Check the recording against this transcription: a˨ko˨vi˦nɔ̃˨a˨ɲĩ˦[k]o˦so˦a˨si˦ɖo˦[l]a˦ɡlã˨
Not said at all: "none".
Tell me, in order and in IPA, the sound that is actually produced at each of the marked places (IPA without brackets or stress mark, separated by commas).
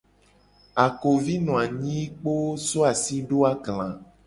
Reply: k͡p, none